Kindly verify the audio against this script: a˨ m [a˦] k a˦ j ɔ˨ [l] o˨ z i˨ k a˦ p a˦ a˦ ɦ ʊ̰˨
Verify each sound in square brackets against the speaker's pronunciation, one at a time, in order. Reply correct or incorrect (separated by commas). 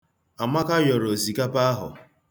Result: correct, incorrect